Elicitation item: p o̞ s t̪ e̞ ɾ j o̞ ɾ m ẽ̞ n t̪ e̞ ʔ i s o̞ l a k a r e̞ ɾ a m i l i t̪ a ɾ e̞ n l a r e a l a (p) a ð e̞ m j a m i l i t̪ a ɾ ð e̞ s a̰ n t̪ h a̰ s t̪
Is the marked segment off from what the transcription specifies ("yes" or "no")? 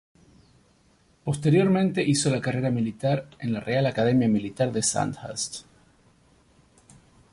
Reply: yes